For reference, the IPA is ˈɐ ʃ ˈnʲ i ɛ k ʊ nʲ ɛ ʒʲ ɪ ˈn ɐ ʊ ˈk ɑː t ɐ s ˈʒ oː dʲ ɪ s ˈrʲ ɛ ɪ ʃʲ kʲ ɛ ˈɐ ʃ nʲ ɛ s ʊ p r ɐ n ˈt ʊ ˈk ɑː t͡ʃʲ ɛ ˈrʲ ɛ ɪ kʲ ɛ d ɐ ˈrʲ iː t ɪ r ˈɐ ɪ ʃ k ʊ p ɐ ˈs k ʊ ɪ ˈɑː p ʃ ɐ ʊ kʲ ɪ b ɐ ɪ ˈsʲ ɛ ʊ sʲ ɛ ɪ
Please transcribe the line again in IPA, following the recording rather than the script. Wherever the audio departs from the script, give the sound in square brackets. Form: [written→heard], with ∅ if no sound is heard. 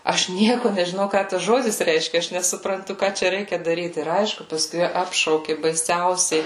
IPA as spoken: ˈɐ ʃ ˈnʲ i ɛ k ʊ nʲ ɛ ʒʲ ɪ ˈn ɐ ʊ ˈk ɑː t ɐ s ˈʒ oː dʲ ɪ s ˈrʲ ɛ ɪ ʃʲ kʲ ɛ ˈɐ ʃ nʲ ɛ s ʊ p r ɐ n ˈt ʊ ˈk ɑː t͡ʃʲ ɛ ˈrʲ ɛ ɪ kʲ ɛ d ɐ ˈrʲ iː t ɪ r ˈɐ ɪ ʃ k ʊ p ɐ ˈs k ʊ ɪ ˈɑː p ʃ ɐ ʊ kʲ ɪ b ɐ ɪ ˈsʲ ɛ ʊ sʲ ɛ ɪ